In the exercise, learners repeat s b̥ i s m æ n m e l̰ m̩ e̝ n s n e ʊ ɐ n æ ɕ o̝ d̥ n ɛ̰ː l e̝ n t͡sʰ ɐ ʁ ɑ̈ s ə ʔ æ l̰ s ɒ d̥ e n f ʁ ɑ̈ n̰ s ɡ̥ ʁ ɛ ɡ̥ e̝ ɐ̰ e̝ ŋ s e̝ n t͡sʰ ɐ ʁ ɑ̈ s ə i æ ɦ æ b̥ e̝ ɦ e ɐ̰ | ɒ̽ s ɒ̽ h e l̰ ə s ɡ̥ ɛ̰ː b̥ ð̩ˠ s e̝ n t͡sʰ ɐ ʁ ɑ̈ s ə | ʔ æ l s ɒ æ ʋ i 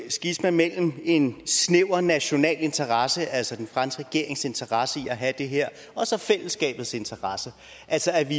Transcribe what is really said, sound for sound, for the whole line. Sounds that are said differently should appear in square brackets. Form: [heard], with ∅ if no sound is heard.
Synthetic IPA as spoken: s [ɡ̥] i s m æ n m e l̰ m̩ e̝ n s n e ʊ ɐ n æ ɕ o̝ [∅] n ɛ̰ː l e̝ n t͡sʰ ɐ ʁ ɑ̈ s ə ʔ æ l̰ s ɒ d̥ e n f ʁ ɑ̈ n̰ s ɡ̥ ʁ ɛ ɡ̥ e̝ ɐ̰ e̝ ŋ s e̝ n t͡sʰ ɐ ʁ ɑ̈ s ə i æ ɦ æ [d̥] e̝ ɦ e ɐ̰ | ɒ̽ s ɒ̽ [f] e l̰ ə s ɡ̥ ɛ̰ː b̥ ð̩ˠ s e̝ n t͡sʰ ɐ ʁ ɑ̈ s ə | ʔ æ l s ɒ æ ʋ i

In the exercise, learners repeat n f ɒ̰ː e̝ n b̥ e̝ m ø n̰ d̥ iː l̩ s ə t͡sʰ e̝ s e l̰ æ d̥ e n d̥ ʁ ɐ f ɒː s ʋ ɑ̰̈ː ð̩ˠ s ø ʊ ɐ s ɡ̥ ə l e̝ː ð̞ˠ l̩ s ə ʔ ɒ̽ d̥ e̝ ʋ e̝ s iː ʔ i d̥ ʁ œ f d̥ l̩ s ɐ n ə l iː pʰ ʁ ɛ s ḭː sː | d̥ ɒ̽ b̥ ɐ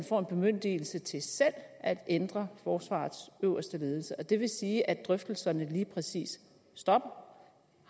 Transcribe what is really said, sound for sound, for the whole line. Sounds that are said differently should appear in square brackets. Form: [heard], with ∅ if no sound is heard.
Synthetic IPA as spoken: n f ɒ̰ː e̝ n b̥ e̝ m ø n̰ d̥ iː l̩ s ə t͡sʰ e̝ s e l̰ æ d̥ e n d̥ ʁ ɐ f ɒː s ʋ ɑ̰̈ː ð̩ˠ s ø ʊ ɐ s [d̥] ə l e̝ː ð̞ˠ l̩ s ə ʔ ɒ̽ d̥ e̝ ʋ e̝ s iː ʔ [æ] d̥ ʁ œ f d̥ l̩ s ɐ n ə l iː pʰ ʁ ɛ s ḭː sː | d̥ ɒ̽ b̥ ɐ

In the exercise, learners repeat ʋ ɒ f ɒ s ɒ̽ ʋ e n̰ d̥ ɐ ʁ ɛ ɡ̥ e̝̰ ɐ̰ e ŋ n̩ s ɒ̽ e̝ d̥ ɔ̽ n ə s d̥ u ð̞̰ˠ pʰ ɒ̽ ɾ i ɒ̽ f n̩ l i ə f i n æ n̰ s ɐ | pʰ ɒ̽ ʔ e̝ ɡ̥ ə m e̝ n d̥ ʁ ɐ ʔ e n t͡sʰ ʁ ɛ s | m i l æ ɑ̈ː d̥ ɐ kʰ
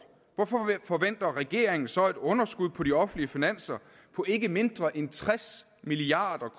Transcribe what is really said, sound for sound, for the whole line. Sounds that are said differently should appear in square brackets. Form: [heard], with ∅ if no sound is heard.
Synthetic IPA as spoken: ʋ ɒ f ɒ [f] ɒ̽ ʋ e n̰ d̥ ɐ ʁ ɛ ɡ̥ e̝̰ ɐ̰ e ŋ n̩ s ɒ̽ e̝ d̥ ɔ̽ n [ɐ] s [ɡ̥] u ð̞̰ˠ pʰ ɒ̽ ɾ i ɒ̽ f n̩ l i ə f i n æ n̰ s ɐ | pʰ ɒ̽ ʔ e̝ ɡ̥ ə m e̝ n d̥ ʁ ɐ ʔ e n t͡sʰ ʁ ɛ s | m i l [i] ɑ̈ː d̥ ɐ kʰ

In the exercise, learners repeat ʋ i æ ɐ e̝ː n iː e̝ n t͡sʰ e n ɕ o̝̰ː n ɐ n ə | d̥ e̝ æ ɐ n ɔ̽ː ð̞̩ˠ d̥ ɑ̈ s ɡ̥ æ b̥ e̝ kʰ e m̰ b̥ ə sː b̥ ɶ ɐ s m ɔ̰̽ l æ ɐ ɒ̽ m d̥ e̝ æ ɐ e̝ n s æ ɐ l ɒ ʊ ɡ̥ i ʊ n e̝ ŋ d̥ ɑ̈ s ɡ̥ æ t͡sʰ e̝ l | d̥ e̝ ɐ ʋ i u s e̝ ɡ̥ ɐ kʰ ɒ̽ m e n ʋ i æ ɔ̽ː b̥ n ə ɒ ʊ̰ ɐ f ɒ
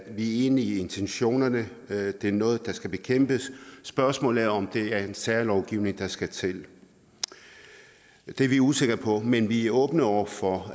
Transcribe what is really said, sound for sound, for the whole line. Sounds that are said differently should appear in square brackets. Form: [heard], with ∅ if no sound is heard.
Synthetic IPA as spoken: ʋ i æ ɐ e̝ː n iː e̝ n t͡sʰ e n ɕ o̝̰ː n ɐ n ə | d̥ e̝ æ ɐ n ɔ̽ː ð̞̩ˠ d̥ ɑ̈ s ɡ̥ æ b̥ e̝ kʰ e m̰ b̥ ə sː b̥ ɶ ɐ s m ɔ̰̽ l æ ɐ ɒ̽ m d̥ e̝ æ ɐ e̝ n s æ ɐ l ɒ ʊ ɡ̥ i ʊ n e̝ ŋ d̥ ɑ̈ s ɡ̥ æ t͡sʰ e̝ l | d̥ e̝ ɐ ʋ i u s e̝ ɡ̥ ɐ [pʰ] ɒ̽ m e n ʋ i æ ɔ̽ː b̥ n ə ɒ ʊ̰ ɐ f ɒ

